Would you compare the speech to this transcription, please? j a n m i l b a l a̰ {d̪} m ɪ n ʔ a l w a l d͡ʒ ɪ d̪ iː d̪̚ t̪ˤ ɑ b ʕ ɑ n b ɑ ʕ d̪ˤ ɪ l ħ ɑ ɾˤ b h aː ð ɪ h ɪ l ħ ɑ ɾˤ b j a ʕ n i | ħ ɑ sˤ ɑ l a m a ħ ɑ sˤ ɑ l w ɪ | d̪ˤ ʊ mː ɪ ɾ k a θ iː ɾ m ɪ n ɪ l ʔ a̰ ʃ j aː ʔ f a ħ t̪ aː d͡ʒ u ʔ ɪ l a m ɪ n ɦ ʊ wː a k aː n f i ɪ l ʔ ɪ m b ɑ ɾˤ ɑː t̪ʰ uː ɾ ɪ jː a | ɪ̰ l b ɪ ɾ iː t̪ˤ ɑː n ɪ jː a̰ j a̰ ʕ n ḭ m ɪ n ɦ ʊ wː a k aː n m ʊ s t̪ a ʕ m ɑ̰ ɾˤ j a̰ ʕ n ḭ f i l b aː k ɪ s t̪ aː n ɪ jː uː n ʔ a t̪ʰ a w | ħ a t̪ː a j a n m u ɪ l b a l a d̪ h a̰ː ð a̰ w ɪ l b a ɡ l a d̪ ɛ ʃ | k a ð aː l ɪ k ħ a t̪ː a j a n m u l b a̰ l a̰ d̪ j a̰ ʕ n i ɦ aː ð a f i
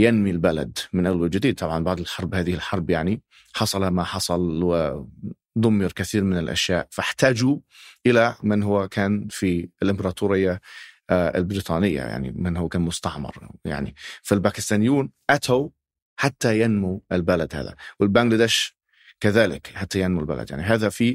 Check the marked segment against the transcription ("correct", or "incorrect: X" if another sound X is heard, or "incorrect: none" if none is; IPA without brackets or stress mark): correct